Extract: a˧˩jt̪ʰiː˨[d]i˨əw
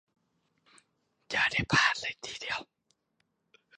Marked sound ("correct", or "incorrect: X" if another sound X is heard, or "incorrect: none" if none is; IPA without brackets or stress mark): correct